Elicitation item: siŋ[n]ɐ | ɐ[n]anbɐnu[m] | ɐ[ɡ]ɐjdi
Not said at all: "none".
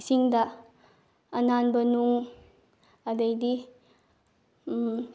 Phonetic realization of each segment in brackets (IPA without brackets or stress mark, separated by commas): d, n, ŋ, d